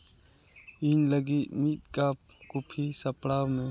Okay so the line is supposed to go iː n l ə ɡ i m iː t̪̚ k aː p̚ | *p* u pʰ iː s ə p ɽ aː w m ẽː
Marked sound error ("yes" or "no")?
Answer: yes